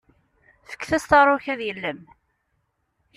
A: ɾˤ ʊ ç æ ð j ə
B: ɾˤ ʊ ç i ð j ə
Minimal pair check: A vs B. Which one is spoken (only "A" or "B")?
A